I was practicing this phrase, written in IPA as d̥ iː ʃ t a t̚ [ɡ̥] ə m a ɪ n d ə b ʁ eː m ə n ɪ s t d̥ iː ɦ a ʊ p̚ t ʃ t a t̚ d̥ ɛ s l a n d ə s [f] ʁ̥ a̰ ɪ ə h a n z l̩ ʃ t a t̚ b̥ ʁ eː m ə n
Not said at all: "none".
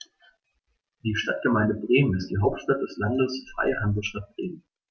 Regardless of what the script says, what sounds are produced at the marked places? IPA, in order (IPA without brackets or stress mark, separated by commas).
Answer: ɡ̥, f